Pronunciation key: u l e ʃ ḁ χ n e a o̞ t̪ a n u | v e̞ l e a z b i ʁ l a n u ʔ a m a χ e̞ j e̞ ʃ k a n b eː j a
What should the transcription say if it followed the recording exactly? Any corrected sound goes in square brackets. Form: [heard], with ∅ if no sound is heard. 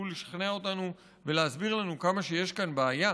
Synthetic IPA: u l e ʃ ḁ χ n e a o̞ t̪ a n u | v e̞ l e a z b i ʁ l a n u [k] a m a [ʃ] e̞ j e̞ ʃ k a n b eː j a